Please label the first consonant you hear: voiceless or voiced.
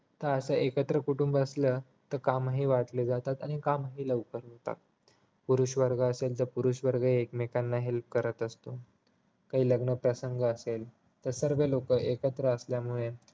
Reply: voiceless